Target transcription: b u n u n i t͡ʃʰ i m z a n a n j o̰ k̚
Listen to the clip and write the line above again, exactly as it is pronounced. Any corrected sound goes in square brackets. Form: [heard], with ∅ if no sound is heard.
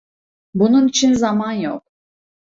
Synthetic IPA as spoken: b u n u n i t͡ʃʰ i [n] z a [m] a n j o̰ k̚